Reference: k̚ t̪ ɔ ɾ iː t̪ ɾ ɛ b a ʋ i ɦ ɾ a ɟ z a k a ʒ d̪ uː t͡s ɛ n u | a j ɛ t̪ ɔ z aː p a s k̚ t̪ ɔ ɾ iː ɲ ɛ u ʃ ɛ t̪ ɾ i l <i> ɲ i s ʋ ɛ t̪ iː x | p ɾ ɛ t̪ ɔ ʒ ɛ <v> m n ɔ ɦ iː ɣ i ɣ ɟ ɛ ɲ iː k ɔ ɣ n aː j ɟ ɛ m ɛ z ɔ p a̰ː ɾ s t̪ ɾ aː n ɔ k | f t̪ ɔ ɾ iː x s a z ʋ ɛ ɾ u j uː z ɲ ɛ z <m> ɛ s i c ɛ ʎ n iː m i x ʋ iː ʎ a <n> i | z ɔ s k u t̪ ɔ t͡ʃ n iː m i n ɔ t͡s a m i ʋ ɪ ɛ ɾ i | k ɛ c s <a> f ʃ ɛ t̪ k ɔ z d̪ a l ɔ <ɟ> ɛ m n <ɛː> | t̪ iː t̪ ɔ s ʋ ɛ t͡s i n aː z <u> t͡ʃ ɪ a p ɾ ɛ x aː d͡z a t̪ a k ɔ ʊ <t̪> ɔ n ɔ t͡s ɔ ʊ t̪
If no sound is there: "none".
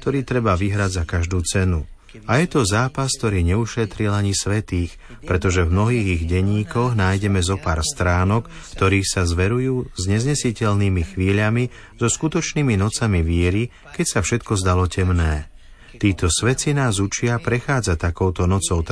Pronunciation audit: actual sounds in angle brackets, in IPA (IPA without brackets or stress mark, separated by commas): a, v, ɲ, m, a, c, ɛː, u, t̪